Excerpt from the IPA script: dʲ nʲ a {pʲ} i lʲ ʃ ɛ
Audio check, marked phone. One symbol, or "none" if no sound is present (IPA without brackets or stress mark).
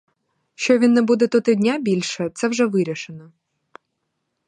bʲ